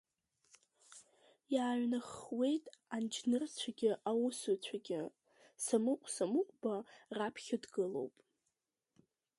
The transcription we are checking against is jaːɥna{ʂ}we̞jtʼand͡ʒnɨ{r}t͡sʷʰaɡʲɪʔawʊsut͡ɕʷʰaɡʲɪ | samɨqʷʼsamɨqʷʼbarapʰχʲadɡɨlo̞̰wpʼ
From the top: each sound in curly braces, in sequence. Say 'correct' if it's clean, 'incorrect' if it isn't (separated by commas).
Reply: incorrect, correct